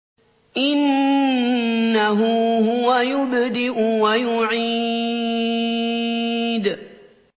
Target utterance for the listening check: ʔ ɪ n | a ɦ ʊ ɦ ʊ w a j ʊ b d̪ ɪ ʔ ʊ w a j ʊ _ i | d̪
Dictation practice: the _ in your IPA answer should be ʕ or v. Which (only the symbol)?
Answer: ʕ